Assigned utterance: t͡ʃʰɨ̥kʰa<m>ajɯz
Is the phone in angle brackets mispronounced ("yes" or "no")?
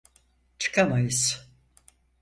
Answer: no